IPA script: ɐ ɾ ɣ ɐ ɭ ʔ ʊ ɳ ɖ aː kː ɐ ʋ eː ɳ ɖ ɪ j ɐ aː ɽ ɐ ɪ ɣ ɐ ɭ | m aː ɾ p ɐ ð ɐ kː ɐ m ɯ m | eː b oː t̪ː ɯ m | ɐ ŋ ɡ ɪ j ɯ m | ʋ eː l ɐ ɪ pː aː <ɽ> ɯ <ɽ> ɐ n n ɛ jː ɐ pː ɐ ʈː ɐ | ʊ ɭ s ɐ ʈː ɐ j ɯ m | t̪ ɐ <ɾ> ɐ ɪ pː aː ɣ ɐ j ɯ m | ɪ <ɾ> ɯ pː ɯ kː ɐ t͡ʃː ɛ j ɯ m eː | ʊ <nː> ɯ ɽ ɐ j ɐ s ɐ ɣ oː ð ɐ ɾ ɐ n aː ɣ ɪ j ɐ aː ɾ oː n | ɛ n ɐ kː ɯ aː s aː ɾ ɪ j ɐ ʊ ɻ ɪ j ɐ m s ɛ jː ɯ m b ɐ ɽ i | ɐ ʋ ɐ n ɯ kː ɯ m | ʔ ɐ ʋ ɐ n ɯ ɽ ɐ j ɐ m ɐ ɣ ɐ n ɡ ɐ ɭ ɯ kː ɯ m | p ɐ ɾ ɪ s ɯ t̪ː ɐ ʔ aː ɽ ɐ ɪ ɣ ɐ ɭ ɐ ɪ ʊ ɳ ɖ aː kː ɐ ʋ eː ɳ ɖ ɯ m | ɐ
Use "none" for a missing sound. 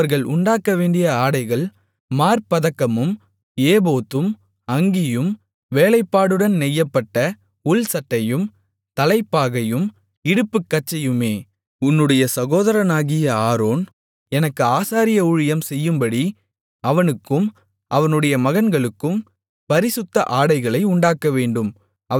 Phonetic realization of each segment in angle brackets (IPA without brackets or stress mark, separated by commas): ɽ, ɽ, l, ɽ, nː